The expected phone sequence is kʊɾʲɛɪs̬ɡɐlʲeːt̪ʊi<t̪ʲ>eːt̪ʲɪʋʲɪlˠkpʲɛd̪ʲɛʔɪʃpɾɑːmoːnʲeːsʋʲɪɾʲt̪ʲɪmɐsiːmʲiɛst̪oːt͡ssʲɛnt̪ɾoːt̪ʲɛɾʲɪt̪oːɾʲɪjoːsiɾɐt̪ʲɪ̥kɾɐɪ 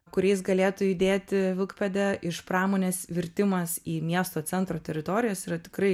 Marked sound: incorrect: d̪ʲ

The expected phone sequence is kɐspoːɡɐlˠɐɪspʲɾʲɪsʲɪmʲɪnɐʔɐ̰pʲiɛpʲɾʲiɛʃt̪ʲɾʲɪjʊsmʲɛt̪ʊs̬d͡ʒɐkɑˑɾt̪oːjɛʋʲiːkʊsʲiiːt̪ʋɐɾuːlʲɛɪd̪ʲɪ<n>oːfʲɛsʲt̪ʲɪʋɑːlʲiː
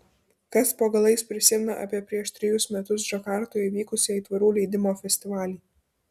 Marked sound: incorrect: m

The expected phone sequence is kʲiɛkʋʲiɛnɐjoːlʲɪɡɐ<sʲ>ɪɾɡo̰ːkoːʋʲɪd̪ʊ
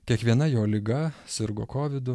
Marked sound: correct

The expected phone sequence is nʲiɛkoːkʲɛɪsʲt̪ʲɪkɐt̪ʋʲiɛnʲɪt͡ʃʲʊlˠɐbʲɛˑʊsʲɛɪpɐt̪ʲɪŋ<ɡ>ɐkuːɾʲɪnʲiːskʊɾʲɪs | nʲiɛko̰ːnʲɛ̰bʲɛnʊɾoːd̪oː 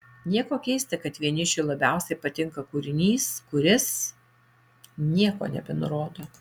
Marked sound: incorrect: k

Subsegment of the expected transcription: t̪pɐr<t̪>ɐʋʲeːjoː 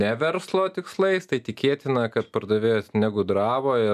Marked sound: incorrect: d̪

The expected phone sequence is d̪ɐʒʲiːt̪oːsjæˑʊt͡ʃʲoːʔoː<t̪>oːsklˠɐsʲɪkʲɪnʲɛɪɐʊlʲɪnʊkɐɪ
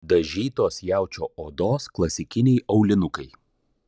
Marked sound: incorrect: d̪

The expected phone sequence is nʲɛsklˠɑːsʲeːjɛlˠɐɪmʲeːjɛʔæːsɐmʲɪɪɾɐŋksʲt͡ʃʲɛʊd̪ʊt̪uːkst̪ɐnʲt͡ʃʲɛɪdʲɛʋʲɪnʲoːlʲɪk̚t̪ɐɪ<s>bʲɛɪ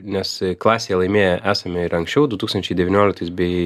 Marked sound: correct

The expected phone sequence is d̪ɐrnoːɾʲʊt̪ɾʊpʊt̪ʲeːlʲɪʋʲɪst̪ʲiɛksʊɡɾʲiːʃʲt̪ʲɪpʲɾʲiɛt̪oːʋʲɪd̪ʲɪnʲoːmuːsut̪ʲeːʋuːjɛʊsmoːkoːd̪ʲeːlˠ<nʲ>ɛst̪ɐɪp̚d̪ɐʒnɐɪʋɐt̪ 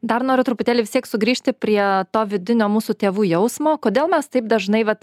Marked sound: incorrect: mʲ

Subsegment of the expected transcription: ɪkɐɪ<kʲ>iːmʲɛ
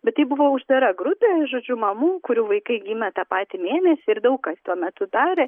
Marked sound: incorrect: ɡʲ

